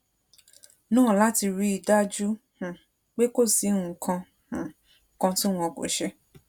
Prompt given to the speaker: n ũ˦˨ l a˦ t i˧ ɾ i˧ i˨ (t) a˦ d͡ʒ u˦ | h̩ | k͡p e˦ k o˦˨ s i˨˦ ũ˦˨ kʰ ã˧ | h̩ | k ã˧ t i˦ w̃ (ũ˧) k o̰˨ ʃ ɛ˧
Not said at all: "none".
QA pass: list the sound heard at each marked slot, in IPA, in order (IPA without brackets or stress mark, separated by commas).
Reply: d, ɔ̃˧